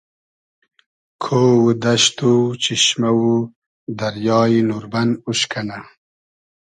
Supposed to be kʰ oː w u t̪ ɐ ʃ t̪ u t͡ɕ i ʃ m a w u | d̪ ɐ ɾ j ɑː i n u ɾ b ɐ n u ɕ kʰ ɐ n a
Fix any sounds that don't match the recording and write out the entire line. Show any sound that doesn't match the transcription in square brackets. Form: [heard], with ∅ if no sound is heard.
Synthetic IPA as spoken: kʰ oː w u [d̪] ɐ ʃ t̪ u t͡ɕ i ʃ m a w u | d̪ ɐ ɾ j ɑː i n u ɾ b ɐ n u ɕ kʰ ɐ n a